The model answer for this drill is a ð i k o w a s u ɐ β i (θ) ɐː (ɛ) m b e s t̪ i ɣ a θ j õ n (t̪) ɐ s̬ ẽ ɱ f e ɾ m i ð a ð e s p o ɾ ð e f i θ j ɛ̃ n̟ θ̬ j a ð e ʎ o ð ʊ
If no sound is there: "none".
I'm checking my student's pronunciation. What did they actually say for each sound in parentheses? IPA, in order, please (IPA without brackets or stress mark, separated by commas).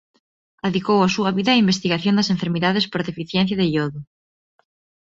ð, i, d̪